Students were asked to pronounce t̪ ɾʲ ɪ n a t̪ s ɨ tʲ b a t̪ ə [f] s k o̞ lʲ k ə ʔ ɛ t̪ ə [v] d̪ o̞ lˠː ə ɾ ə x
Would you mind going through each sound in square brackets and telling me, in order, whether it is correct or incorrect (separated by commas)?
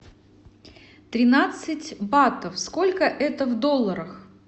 correct, correct